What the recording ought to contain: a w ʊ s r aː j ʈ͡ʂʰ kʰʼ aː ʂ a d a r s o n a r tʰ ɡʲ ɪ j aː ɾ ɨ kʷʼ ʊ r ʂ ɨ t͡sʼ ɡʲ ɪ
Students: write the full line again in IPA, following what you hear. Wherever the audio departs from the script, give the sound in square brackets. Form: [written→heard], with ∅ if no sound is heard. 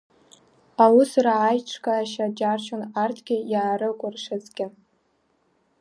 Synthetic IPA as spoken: a w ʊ s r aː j ʈ͡ʂʰ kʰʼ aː [ʂ→ʃ] a [d→d͡ʒ] a r [s→ʃ] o n a r tʰ ɡʲ ɪ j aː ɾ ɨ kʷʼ ʊ r ʂ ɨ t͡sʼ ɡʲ ɪ